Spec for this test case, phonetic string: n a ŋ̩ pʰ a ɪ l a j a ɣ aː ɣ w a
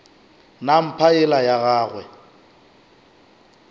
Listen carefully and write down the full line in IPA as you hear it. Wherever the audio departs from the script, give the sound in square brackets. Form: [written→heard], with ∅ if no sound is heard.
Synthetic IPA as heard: n a [ŋ̩→m̩] pʰ a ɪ l a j a ɣ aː ɣ w [a→ɛ]